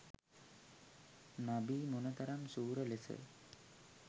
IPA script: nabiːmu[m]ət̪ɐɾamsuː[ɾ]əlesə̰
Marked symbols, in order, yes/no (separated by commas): no, yes